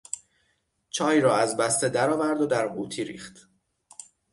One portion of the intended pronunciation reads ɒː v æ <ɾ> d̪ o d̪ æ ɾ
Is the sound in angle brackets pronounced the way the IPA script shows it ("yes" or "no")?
yes